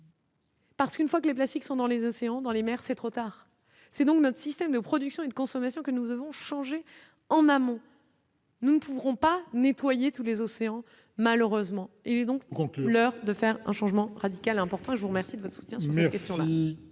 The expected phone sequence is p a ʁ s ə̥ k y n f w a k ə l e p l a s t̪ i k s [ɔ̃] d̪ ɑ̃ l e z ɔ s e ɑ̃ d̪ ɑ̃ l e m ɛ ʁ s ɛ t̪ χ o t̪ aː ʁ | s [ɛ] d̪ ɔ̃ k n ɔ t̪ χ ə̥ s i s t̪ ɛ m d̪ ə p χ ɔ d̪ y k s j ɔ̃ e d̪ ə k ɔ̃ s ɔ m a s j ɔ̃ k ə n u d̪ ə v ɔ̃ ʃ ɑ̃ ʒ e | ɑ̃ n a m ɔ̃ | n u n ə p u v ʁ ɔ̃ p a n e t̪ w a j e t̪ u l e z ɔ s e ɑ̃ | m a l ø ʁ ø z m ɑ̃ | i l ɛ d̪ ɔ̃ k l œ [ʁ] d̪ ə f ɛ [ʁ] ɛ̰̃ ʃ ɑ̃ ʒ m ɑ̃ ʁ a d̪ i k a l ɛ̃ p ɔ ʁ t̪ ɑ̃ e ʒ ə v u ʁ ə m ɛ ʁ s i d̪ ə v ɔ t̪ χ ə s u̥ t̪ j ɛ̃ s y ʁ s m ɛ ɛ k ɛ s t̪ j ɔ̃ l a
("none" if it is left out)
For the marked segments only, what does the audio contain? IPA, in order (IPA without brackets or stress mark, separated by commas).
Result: ɔ̃, ɛ, ʁ, ʁ